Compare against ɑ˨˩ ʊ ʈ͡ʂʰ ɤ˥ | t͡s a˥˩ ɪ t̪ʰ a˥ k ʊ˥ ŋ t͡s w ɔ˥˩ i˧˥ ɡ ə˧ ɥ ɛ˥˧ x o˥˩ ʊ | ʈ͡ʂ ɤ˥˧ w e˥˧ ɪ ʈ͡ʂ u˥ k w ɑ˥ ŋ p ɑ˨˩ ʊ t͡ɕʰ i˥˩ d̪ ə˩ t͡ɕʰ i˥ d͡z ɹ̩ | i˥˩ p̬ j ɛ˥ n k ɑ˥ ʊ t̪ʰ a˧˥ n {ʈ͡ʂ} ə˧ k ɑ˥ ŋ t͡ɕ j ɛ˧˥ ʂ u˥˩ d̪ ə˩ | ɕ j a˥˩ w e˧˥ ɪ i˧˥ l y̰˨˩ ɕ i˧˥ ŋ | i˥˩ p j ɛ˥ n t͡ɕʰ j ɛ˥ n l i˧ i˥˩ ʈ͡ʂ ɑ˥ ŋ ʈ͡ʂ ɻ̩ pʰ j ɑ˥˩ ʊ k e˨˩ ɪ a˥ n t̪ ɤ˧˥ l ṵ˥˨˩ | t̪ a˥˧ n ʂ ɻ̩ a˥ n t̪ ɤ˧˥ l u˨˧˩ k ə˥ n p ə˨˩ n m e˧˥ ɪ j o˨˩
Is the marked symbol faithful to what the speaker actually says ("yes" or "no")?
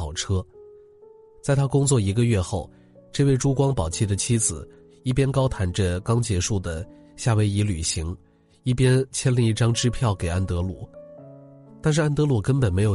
yes